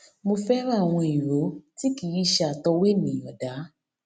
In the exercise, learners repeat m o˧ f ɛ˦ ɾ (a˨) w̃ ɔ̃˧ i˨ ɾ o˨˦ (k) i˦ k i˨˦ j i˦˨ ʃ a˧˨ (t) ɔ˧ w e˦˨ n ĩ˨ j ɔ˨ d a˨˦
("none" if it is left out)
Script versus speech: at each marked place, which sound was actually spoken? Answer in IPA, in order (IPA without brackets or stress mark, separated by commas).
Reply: a˦˨, t, t